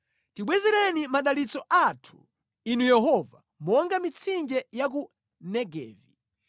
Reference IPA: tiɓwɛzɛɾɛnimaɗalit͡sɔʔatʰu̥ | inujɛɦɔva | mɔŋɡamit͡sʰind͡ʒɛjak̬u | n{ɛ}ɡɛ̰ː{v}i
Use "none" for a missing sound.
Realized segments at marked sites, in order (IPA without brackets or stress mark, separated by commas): ɛ, v